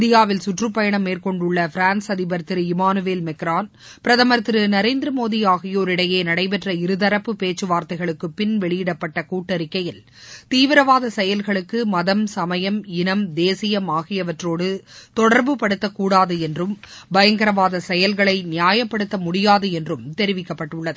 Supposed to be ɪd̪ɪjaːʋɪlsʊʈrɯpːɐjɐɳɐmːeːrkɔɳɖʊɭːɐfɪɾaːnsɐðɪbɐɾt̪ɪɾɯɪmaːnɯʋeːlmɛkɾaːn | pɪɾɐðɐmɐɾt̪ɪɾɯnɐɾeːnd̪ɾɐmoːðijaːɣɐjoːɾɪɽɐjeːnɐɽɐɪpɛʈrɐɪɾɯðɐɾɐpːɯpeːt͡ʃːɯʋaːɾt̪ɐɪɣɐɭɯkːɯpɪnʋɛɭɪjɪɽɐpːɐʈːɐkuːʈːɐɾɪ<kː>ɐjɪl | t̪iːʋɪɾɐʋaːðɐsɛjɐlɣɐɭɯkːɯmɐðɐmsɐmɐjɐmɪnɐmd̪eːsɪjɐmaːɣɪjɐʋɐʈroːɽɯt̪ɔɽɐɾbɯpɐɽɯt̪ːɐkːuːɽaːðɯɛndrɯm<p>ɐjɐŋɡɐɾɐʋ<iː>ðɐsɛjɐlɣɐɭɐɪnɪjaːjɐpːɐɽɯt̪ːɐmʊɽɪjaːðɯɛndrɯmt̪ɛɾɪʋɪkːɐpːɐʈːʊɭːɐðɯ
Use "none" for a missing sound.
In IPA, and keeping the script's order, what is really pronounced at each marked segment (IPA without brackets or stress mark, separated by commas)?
kː, b, aː